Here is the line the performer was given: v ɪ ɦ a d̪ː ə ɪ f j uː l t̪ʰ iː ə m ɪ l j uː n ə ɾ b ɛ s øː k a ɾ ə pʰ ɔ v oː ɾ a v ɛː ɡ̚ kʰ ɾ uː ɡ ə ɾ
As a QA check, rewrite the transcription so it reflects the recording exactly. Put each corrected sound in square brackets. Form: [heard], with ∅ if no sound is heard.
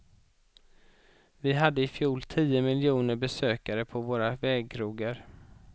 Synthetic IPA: v ɪ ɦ a d̪ː ə ɪ f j uː l t̪ʰ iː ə m ɪ l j uː n ə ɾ b ɛ s øː k a ɾ ə pʰ ɔ v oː ɾ a v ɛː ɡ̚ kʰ ɾ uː ɡ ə ɾ